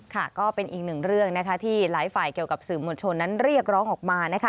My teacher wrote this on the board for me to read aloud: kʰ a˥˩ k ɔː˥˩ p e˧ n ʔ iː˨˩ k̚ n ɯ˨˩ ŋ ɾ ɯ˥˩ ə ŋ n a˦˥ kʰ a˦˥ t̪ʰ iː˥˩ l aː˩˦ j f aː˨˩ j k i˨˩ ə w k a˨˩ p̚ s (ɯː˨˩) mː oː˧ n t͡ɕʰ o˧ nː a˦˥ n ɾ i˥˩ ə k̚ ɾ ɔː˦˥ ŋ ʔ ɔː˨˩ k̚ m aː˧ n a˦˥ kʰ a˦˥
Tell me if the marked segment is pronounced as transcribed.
yes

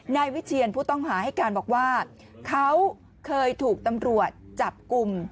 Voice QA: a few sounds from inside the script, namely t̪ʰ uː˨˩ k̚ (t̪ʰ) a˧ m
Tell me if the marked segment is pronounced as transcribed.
no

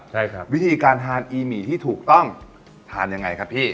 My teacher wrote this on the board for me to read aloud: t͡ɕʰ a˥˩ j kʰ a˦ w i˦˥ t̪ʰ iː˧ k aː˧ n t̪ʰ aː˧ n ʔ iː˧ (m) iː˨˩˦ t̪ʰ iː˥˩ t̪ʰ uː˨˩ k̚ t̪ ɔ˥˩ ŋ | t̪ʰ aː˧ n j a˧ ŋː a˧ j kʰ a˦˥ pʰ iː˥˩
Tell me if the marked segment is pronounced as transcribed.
yes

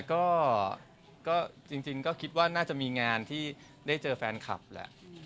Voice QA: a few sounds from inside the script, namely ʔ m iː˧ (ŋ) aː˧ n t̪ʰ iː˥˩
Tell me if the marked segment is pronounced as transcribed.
yes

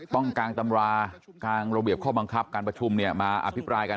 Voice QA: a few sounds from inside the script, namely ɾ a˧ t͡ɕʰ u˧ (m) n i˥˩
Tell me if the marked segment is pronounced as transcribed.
yes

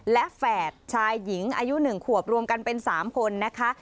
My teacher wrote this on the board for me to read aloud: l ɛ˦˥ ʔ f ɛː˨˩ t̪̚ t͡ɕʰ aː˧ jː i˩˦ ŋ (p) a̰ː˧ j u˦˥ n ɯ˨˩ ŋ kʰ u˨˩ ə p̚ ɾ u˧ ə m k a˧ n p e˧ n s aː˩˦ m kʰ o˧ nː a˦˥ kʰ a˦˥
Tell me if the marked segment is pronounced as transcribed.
no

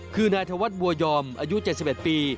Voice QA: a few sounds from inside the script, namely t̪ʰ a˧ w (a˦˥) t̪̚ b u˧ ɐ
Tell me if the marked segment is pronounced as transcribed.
yes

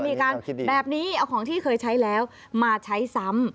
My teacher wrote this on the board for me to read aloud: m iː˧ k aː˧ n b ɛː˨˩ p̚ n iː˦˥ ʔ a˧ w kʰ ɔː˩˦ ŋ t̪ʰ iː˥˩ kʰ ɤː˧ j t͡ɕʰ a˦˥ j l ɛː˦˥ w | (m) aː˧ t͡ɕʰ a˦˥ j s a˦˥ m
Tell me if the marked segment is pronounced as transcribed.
yes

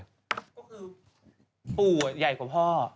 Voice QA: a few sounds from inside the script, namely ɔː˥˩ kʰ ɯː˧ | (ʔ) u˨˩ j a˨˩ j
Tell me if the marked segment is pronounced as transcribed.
no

